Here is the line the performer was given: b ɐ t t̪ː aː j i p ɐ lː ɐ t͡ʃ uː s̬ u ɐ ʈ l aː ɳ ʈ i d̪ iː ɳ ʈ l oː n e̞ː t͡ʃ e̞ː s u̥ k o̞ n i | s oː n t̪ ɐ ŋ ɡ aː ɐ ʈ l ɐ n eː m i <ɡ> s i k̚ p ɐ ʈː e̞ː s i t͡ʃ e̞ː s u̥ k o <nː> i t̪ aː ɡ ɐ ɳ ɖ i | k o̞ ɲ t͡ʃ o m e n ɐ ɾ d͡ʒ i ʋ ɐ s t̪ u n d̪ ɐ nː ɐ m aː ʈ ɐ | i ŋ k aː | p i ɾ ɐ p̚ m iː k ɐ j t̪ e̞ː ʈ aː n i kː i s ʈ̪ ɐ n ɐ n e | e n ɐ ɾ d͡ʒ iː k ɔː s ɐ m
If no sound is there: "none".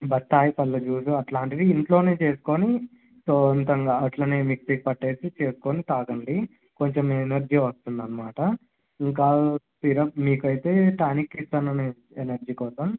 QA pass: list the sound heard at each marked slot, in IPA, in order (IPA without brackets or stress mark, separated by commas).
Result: k, n